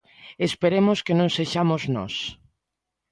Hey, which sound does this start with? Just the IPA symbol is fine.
e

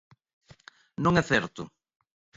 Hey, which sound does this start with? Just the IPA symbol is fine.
n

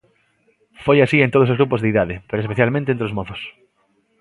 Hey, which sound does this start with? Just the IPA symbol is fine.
f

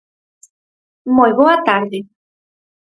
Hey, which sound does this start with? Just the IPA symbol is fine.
m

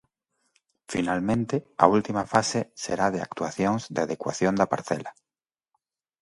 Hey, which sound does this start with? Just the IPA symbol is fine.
f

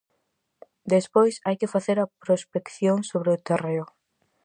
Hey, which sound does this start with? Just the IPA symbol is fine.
d̪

